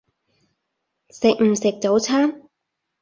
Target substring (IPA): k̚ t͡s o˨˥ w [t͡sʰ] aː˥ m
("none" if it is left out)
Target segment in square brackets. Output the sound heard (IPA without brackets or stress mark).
t͡sʰ